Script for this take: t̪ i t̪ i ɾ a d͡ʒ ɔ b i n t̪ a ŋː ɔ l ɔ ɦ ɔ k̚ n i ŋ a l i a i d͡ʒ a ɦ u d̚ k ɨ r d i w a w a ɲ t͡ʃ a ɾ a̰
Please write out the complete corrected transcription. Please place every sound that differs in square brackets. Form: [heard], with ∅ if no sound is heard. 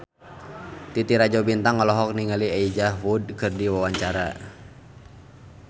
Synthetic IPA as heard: t̪ i t̪ i ɾ a d͡ʒ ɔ b i n t̪ a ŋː ɔ l ɔ ɦ ɔ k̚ n i ŋ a l i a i d͡ʒ a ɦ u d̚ k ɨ r d i w a w a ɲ t͡ʃ a ɾ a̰